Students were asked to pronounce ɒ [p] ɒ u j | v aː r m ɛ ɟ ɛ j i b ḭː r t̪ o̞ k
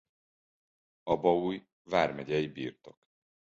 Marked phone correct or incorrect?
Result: incorrect